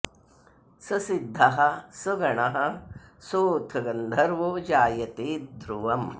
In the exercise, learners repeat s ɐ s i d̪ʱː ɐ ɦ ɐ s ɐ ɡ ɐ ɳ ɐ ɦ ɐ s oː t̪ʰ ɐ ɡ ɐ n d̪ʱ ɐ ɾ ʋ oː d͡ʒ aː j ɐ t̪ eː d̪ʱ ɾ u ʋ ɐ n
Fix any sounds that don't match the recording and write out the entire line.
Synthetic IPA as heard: s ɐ s i d̪ʱː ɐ ɦ ɐ s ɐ ɡ ɐ ɳ ɐ ɦ ɐ s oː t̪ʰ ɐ ɡ ɐ n d̪ʱ ɐ ɾ ʋ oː d͡ʒ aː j ɐ t̪ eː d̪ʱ ɾ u ʋ ɐ m